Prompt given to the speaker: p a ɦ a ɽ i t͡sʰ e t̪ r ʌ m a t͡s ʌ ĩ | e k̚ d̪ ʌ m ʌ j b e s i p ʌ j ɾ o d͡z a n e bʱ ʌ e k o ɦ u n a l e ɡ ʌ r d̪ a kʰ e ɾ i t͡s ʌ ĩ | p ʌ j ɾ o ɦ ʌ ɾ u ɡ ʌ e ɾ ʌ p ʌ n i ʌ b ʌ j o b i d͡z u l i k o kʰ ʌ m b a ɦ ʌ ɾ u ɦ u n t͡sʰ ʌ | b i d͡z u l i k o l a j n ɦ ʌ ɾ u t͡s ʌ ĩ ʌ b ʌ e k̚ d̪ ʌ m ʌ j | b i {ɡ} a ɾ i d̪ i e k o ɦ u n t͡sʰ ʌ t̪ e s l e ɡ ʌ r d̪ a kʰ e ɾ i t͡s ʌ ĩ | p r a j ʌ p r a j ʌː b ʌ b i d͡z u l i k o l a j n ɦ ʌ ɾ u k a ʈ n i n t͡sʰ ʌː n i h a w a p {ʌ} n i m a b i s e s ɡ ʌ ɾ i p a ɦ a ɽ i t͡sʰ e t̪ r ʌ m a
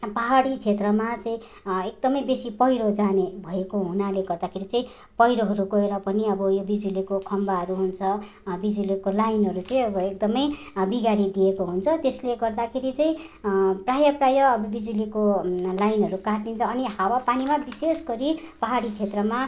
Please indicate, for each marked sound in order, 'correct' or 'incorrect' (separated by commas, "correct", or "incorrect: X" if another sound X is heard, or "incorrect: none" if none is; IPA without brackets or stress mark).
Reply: correct, incorrect: a